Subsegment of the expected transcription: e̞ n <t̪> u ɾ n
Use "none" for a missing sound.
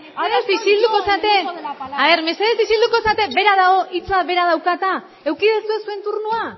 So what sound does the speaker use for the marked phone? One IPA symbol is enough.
t̪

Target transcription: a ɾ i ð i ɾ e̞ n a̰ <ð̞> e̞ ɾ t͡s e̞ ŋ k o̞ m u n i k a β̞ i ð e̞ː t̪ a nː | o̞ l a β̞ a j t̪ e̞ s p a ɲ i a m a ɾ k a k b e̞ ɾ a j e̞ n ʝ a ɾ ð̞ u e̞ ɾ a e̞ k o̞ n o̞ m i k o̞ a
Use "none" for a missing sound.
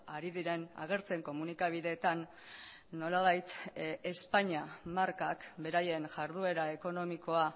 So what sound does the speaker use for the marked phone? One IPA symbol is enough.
ɣ̞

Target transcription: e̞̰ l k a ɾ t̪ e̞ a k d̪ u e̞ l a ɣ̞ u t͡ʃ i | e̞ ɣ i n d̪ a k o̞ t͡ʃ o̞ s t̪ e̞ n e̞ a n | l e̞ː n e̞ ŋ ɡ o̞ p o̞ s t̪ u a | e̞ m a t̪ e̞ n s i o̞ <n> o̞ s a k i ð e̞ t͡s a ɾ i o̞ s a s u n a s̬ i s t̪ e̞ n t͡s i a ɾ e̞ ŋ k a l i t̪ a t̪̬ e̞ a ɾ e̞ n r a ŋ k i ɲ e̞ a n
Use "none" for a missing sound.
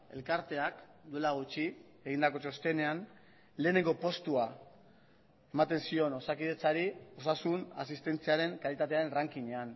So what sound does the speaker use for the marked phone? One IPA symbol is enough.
n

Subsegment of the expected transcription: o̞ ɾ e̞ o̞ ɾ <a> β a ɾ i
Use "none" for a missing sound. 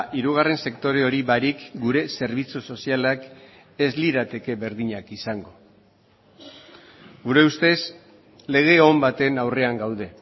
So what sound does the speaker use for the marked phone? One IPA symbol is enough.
i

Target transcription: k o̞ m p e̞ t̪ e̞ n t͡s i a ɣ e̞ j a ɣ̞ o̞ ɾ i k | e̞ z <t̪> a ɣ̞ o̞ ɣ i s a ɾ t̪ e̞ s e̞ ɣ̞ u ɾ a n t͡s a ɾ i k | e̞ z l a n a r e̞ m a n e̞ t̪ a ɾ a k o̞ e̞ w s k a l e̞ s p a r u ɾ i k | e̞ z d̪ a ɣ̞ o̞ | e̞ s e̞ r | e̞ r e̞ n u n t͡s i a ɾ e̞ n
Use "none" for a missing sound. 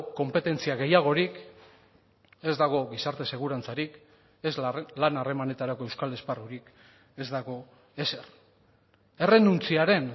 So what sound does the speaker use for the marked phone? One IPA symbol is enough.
d̪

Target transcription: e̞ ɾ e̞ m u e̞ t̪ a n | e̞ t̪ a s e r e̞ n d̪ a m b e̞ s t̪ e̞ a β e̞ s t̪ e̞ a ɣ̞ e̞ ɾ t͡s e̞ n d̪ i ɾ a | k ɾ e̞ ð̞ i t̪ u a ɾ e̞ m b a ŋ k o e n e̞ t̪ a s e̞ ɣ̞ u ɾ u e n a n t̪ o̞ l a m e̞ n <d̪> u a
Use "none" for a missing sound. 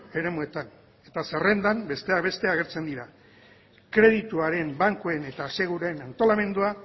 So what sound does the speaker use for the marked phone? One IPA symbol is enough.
d̪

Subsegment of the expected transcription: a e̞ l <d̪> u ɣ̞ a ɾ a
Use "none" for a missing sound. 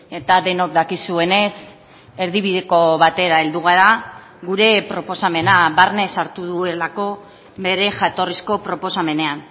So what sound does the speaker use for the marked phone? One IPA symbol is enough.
d̪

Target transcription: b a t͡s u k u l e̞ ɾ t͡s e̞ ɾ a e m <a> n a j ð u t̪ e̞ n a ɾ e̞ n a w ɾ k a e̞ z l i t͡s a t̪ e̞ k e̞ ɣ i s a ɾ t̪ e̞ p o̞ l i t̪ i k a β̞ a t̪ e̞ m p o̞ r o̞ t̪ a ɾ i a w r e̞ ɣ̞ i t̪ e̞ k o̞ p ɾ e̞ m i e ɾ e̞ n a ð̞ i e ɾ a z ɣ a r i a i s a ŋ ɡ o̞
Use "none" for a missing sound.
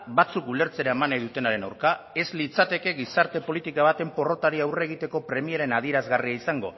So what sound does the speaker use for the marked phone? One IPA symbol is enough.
a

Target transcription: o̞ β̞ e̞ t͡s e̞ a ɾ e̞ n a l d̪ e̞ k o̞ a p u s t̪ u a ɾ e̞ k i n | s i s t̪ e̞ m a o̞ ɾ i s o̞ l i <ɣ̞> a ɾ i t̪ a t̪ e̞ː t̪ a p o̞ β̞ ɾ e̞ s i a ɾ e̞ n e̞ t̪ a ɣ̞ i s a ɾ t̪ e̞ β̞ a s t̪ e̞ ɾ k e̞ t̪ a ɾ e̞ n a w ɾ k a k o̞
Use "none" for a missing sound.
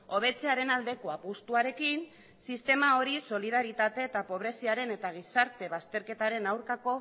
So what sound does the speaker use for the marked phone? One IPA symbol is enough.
ð̞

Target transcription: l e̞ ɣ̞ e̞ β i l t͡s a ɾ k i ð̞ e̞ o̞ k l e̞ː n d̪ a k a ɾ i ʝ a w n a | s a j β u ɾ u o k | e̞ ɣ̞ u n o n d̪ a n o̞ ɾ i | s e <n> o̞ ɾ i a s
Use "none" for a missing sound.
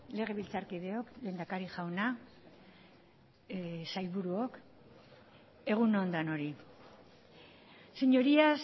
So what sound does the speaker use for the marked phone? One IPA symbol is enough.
ɲ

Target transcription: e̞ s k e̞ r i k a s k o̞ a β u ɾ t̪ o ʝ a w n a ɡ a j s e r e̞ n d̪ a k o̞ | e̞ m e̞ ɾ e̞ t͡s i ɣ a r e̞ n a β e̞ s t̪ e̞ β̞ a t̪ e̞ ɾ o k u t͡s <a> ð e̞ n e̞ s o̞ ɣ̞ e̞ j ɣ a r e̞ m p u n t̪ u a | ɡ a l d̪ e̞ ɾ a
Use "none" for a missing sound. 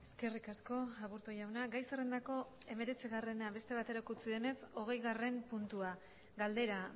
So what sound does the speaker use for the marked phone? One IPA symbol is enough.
i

